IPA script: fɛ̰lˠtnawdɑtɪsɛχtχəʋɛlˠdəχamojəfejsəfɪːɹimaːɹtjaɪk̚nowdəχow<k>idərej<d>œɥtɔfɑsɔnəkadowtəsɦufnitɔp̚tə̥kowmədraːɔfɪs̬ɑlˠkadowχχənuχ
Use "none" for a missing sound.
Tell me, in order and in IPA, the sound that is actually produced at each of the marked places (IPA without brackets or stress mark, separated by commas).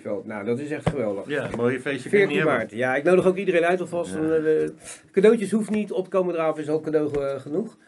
k, n